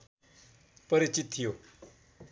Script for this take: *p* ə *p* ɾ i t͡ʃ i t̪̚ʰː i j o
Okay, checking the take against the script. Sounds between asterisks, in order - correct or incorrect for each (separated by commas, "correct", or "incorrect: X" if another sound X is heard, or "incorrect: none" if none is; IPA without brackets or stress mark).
correct, incorrect: none